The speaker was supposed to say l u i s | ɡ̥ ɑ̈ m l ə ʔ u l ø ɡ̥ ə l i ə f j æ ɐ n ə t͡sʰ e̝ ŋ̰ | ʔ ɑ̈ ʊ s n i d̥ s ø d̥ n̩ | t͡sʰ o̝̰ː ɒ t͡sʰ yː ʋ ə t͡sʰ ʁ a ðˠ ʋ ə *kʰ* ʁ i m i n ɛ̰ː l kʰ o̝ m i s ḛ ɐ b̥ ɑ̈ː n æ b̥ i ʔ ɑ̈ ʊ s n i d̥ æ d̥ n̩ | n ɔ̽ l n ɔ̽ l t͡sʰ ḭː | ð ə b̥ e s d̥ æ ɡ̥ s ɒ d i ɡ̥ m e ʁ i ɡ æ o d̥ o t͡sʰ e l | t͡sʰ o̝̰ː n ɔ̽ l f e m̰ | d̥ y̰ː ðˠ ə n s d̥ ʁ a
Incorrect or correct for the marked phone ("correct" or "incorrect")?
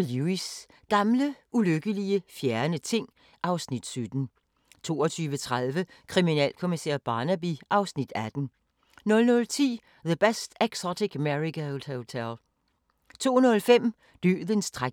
correct